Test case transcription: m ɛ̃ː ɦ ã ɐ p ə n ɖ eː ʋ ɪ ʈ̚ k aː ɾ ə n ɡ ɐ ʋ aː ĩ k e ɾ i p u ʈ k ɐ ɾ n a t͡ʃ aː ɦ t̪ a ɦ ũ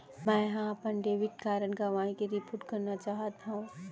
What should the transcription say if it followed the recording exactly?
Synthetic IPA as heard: m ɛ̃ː ɦ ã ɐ p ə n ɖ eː ʋ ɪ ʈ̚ k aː ɾ ə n ɡ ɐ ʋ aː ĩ k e ɾ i p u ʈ k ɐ ɾ n a t͡ʃ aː ɦ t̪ a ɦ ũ